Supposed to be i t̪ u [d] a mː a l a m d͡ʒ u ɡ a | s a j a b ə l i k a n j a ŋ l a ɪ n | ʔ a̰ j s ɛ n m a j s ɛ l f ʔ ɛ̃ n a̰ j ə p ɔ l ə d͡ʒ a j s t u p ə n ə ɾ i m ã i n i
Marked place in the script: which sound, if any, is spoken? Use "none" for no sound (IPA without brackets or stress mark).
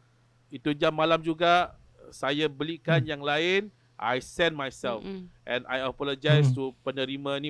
d͡ʒ